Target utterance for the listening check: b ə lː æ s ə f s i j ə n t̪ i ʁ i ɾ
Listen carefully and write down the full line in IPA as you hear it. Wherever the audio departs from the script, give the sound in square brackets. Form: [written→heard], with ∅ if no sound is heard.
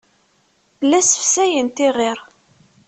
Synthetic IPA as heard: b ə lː æ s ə f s [i→æ] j ə n t̪ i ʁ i ɾ